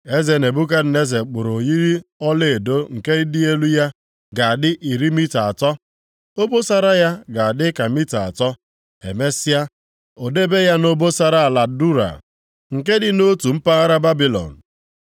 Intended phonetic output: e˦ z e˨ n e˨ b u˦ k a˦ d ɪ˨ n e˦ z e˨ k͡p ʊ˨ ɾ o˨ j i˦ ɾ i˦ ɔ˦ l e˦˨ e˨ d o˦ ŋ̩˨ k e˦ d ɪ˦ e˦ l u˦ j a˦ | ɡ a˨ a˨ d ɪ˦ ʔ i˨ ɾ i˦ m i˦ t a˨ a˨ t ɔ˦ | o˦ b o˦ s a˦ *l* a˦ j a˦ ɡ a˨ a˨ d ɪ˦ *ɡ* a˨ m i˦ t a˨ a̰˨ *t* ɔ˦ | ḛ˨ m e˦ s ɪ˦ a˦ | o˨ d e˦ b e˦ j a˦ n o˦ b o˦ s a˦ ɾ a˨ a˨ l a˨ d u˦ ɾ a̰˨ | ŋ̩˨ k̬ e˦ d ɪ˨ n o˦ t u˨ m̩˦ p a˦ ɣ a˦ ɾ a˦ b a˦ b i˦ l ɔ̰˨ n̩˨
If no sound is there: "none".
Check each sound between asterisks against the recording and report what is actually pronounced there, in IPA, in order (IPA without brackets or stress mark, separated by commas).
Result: ɾ, k, t